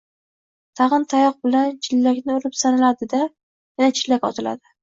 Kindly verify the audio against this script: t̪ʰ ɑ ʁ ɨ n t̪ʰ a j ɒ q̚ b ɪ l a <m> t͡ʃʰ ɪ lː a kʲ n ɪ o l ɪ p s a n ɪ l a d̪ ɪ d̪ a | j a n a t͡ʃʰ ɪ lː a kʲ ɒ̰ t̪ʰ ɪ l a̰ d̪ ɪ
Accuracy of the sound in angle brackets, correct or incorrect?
incorrect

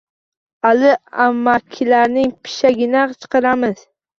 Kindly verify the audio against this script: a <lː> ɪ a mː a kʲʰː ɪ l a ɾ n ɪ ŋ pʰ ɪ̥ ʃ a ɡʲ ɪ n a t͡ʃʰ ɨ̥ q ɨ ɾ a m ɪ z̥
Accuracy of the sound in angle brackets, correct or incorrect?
incorrect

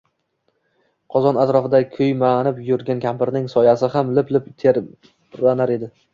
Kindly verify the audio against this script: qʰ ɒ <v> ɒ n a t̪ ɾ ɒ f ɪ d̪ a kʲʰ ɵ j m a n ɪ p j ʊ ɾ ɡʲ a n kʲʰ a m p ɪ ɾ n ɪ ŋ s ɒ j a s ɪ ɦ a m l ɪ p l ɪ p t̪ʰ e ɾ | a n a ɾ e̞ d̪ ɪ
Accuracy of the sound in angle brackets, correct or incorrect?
incorrect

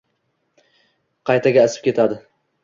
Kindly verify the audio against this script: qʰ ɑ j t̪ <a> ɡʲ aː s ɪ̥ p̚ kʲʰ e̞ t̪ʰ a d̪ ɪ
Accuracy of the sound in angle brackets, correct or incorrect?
correct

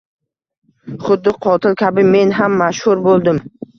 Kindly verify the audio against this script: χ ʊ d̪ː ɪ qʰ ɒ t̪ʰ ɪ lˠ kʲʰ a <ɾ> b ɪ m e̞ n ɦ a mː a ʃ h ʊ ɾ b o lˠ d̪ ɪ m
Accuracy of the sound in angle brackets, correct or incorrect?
incorrect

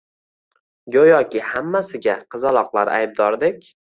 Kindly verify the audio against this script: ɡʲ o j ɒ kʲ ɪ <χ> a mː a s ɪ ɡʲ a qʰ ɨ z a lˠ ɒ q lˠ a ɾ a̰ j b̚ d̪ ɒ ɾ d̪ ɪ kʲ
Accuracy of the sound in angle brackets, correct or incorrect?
incorrect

